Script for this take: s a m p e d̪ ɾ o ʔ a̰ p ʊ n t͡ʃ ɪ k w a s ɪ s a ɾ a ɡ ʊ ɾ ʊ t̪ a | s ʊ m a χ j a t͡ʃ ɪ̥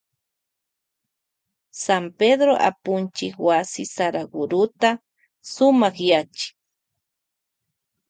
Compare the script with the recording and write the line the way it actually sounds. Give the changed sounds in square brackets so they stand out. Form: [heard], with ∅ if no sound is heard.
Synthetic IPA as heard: s a m p e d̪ ɾ o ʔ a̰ p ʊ n t͡ʃ ɪ k w a s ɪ s a ɾ a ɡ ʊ ɾ ʊ t̪ a | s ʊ m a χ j a t͡ʃ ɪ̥